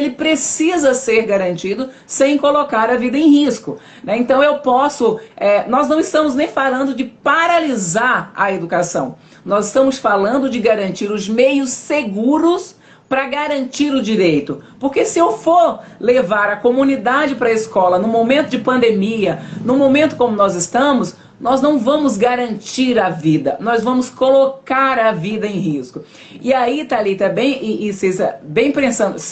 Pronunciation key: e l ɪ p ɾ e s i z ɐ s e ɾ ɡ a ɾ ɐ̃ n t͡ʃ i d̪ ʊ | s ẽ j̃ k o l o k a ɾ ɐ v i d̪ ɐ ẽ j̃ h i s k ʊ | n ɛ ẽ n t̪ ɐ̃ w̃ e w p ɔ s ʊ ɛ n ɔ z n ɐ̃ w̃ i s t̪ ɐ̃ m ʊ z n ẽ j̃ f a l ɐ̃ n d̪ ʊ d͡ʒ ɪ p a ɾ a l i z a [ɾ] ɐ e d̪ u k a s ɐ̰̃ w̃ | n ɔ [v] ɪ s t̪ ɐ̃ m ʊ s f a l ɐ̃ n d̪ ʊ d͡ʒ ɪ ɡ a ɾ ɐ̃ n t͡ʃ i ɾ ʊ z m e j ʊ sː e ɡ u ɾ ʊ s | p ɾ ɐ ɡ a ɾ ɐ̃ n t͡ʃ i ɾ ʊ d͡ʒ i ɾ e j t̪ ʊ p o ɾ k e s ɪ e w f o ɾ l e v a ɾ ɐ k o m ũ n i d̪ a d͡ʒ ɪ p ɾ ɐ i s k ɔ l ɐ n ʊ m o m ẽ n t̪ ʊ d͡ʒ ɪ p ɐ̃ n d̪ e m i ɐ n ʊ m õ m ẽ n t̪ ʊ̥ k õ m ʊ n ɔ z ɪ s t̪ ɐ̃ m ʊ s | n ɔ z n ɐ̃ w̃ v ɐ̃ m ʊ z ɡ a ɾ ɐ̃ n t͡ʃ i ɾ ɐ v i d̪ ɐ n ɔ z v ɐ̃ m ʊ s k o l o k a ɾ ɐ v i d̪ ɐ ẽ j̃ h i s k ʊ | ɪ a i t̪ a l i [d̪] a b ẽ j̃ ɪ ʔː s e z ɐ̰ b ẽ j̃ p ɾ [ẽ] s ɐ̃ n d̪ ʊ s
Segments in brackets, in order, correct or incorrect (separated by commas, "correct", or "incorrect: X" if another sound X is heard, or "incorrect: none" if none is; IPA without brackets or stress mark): correct, incorrect: z, incorrect: t̪, correct